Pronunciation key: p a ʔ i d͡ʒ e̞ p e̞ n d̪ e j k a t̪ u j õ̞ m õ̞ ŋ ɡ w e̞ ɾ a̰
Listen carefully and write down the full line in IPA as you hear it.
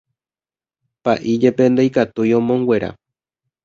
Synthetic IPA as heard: p a ʔ i d͡ʒ e̞ p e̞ n d̪ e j k a t̪ u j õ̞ m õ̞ ŋ ɡ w e̞ ɾ a̰